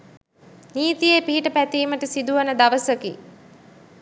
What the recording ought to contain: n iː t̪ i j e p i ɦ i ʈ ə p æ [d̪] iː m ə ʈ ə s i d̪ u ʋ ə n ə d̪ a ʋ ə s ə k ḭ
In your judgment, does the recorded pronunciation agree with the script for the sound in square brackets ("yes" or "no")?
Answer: no